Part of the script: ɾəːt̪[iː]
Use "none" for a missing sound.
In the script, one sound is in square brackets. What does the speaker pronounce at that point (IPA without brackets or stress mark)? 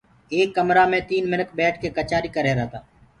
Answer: aː